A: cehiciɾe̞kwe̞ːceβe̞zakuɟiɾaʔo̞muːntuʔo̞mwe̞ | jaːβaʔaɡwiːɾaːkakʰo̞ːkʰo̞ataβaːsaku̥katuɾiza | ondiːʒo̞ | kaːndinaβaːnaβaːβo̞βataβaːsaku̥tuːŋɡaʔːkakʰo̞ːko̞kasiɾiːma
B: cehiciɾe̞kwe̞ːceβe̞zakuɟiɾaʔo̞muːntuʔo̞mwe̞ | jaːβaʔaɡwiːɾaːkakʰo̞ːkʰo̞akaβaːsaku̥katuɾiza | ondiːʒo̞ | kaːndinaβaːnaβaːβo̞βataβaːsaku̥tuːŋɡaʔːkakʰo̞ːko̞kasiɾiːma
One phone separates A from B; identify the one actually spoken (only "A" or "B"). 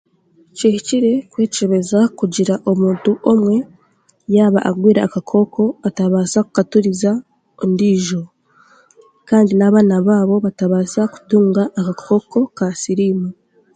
A